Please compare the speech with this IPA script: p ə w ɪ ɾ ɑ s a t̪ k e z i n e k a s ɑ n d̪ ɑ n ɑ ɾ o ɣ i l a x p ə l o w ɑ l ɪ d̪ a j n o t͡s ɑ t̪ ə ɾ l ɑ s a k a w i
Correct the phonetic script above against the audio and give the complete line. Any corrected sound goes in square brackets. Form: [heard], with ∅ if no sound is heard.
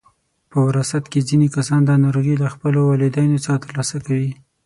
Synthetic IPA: p ə w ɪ ɾ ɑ s a t̪ k e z i n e k a s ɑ n d̪ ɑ n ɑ ɾ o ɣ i l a x p ə l o w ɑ l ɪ d̪ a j n o t͡s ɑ t̪ ə ɾ l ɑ s a k a w i